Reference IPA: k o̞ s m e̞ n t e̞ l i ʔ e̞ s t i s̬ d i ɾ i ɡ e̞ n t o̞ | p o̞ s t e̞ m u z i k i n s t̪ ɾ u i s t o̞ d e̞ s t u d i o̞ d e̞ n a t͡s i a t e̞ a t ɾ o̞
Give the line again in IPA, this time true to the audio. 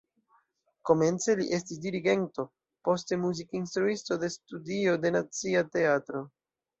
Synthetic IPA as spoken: k o̞ m e̞ n t͡s e̞ l i ʔ e̞ s t i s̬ d i ɾ i ɡ e̞ n t o̞ | p o̞ s t e̞ m u z i k i n s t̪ ɾ u i s t o̞ d e̞ s t u d i o̞ d e̞ n a t͡s i a t e̞ a t ɾ o̞